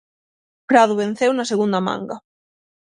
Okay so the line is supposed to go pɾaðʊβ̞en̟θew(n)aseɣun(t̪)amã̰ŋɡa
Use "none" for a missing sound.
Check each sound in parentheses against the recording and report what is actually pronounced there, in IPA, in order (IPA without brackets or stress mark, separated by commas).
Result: n, d̪